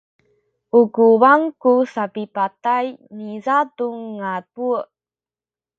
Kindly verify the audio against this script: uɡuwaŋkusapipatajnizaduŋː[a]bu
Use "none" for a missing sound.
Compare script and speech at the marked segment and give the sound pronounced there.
a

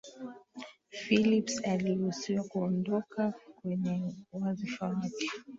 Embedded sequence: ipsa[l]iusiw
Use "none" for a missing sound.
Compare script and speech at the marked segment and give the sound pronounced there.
l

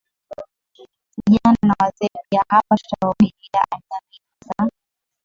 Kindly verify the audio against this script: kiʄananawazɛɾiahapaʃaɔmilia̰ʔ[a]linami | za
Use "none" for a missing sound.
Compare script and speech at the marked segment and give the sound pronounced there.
a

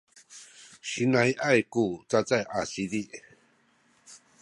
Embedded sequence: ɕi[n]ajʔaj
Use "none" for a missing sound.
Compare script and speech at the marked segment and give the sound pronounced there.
n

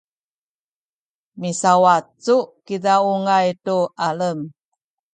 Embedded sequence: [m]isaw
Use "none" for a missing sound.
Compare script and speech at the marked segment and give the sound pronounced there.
m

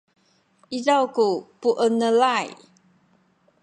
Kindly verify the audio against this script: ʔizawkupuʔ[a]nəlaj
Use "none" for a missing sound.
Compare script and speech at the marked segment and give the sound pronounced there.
ə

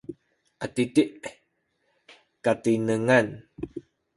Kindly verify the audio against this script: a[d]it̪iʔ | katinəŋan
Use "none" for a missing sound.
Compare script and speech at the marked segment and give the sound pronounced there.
t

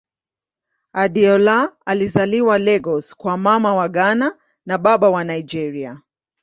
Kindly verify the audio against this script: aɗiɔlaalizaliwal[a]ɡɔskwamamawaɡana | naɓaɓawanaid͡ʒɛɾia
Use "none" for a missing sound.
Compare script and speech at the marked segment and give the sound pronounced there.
ɛ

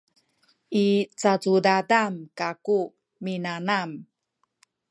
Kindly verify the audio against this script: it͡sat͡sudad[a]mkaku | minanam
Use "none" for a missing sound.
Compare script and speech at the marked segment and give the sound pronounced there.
a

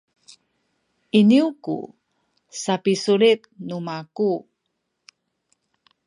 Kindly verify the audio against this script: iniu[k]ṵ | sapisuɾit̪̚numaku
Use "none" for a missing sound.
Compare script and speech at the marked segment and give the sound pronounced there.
k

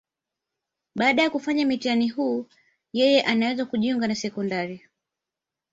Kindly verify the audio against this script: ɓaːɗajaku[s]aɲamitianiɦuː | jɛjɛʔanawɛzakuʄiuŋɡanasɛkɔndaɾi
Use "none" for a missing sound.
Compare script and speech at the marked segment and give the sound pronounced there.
f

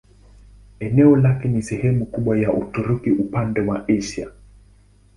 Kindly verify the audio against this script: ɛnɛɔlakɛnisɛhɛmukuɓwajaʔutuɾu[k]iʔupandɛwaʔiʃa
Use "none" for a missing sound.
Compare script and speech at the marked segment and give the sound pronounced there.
k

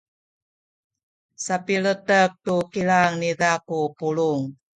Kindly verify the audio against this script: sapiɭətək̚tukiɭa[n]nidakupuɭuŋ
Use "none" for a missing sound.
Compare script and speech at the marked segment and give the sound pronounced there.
ŋ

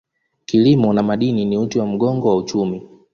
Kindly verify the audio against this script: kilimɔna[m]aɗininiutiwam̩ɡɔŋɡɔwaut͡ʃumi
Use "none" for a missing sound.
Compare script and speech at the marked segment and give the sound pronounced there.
m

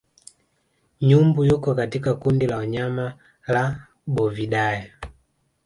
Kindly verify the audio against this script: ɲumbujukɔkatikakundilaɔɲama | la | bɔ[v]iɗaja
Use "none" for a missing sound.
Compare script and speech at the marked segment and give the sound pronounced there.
v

